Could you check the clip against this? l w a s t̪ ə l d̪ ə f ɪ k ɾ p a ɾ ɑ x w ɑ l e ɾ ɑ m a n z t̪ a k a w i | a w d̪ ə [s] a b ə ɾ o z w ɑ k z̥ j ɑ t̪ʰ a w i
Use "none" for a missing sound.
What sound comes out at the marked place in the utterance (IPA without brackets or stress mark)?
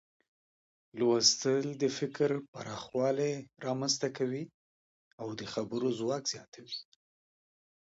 x